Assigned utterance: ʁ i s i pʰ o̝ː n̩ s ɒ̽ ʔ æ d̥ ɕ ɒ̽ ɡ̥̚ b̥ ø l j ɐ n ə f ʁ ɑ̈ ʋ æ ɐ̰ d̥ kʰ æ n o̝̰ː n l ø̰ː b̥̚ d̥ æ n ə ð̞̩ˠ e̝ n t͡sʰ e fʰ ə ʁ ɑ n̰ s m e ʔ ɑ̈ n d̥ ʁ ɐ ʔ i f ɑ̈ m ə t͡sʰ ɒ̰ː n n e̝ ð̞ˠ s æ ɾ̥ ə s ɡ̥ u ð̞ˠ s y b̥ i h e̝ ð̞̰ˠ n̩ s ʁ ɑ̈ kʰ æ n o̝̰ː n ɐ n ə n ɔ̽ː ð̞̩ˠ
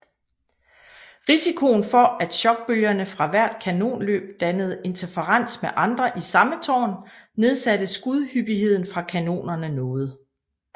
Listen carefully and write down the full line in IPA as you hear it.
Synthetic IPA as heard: ʁ i s i kʰ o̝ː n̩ f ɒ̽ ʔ æ d̥ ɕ ɒ̽ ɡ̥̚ b̥ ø l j ɐ n ə f ʁ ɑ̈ ʋ æ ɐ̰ d̥ kʰ æ n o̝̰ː n l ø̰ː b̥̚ d̥ æ n ə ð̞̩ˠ e̝ n t͡sʰ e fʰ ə ʁ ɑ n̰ s m e ʔ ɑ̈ n d̥ ʁ ɐ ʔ i s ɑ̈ m ə t͡sʰ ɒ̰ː n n e̝ ð̞ˠ s æ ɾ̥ ə s ɡ̥ u ð̞ˠ h y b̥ i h e̝ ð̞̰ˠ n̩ f ʁ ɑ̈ kʰ æ n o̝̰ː n ɐ n ə n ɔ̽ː ð̞̩ˠ